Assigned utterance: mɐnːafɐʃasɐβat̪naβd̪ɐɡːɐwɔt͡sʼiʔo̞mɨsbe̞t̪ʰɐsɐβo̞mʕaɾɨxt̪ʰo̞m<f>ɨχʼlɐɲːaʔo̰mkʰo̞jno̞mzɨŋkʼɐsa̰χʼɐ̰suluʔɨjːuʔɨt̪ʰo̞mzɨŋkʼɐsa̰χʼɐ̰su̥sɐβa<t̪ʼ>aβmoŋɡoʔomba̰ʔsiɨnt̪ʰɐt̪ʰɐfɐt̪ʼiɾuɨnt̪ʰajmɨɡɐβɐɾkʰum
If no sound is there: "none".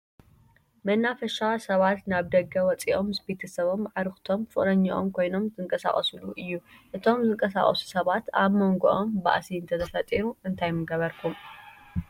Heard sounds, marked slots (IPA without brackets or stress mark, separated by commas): f, t̪